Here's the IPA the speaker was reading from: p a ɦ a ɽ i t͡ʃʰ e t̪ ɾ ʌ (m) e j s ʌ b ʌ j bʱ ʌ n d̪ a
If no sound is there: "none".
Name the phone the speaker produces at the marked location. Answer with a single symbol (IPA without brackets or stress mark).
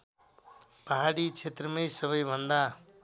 m